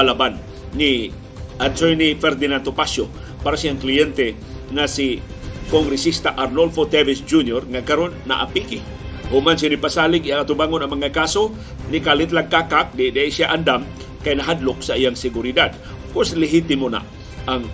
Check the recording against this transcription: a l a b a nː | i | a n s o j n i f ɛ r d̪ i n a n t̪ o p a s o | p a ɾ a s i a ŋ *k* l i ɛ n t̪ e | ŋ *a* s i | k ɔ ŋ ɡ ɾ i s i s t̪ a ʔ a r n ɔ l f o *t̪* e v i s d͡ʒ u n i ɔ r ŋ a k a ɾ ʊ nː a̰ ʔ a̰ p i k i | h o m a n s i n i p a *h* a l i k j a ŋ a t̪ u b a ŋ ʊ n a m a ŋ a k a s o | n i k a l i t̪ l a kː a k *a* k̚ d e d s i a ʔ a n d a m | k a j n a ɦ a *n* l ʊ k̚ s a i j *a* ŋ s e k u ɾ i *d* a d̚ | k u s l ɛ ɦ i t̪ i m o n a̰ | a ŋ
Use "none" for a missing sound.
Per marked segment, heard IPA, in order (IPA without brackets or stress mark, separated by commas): k, a, t̪, s, a, d, a, d